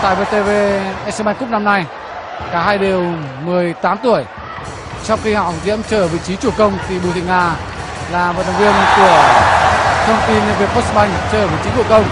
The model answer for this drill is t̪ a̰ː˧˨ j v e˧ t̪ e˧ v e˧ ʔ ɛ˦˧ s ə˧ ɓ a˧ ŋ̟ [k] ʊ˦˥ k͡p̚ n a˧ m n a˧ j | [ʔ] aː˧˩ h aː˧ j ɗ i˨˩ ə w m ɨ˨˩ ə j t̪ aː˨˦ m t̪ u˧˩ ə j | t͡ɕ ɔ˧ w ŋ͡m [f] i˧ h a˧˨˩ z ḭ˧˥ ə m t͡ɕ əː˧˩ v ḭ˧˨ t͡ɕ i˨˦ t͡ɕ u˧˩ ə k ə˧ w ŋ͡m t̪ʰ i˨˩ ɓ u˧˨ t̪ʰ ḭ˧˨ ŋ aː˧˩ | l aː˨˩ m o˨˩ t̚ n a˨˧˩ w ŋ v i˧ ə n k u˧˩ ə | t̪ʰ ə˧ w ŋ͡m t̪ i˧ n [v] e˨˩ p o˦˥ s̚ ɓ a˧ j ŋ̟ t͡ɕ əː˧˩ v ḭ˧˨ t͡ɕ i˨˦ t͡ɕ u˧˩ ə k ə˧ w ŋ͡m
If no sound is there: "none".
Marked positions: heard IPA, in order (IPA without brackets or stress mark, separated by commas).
k, k, x, v